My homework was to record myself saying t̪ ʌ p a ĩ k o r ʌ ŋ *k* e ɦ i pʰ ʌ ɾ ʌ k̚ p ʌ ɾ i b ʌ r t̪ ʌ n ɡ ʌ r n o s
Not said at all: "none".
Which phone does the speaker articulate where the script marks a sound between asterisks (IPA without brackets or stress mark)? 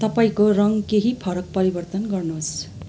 k